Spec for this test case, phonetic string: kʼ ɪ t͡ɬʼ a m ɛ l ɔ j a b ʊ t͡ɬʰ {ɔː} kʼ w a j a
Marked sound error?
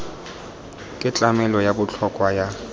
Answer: yes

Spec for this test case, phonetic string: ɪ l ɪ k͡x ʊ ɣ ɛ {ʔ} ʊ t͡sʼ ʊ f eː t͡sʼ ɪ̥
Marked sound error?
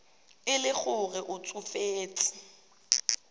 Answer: no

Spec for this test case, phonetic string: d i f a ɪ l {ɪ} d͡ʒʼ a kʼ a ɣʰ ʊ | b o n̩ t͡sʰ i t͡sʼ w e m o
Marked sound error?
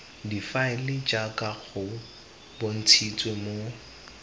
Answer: no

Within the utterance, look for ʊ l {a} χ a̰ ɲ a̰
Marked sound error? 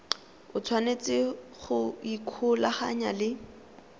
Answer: no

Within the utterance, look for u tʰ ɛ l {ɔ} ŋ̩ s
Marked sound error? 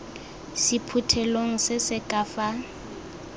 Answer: yes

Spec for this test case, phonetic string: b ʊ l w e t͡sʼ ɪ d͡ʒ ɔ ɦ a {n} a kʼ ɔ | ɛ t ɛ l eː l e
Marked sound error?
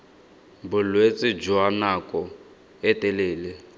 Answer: no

